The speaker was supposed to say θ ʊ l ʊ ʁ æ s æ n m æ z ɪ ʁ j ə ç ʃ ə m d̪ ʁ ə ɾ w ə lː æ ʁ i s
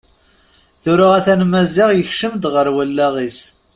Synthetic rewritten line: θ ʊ ɾ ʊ ʁ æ θ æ n m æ z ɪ ʁ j ə ç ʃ ə m d̪ ʁ ə ɾ w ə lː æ ʁ i s